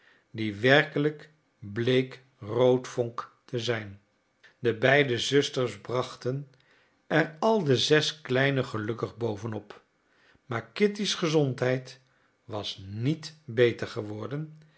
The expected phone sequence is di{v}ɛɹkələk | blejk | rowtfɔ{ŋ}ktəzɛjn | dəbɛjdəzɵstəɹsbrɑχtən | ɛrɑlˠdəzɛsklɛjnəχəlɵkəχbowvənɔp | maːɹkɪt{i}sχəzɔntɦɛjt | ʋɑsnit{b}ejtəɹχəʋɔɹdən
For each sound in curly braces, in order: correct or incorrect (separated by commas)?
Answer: incorrect, correct, correct, correct